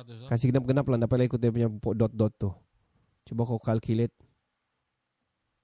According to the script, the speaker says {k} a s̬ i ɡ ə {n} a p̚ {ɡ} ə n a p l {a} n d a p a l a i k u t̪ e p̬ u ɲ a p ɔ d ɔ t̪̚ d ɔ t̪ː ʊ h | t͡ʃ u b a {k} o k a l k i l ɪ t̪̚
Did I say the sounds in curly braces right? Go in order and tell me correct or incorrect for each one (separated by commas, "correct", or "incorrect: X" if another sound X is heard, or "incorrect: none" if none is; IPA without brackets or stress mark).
correct, correct, correct, correct, correct